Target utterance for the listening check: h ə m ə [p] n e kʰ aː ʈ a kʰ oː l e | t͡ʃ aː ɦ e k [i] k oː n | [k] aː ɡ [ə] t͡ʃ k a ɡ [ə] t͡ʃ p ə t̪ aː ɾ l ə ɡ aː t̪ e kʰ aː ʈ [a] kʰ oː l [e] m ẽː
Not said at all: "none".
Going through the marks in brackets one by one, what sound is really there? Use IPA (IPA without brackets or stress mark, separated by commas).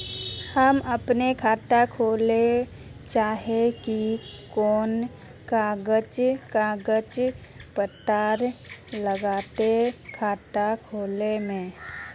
p, i, k, ə, ə, a, e